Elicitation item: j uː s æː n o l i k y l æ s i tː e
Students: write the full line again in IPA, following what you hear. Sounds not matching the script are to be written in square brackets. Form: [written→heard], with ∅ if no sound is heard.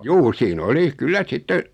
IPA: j uː s [æː→iː] n o l i k y [l→lː] æ s i tː e